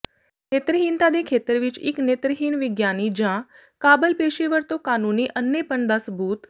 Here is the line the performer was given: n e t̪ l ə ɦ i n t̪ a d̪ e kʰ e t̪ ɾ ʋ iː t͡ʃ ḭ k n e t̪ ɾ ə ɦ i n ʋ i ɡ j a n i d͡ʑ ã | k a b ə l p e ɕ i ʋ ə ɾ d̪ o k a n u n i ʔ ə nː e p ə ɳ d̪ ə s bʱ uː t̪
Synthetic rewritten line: n e t̪ ɾ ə ɦ i n t̪ a d̪ e kʰ e t̪ ɾ ʋ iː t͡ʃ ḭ k n e t̪ ɾ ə ɦ i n ʋ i ɡ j a n i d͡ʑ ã | k a b ə l p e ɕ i ʋ ə ɾ t̪ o k a n u n i ʔ ə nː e p ə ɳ d̪ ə s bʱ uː t̪